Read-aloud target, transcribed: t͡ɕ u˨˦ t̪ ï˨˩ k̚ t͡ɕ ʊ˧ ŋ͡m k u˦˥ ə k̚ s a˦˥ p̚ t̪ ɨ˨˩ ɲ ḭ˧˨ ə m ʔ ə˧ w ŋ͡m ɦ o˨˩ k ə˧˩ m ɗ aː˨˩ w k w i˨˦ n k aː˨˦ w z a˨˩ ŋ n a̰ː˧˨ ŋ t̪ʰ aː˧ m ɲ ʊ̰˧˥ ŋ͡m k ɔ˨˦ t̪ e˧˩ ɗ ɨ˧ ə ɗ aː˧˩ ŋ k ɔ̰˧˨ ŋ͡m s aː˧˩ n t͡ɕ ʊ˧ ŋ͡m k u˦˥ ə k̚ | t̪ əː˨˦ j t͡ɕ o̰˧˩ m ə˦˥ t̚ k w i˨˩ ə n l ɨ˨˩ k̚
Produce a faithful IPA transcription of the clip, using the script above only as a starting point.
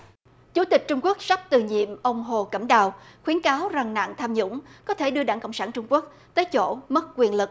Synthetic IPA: t͡ɕ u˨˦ t̪ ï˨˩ k̚ t͡ɕ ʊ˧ ŋ͡m k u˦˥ ə k̚ s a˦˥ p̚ t̪ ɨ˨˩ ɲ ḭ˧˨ ə m ʔ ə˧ w ŋ͡m ɦ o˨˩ k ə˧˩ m ɗ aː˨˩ w x w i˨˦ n k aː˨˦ w z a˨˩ ŋ n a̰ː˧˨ ŋ t̪ʰ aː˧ m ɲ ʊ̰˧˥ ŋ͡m k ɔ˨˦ t̪ʰ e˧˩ ɗ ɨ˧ ə ɗ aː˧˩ ŋ k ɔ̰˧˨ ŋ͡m s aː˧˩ n t͡ɕ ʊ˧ ŋ͡m k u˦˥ ə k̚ | t̪ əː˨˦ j t͡ɕ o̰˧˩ m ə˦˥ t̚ k w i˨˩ ə n l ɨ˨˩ k̚